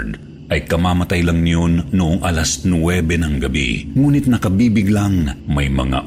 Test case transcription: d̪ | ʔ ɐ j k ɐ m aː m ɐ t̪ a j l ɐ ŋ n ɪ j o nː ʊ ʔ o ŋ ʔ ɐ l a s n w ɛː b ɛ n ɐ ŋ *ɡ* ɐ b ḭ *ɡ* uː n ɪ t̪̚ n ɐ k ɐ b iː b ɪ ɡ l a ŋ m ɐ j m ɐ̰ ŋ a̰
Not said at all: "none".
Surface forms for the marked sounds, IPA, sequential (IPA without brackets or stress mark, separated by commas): ɡ, ŋ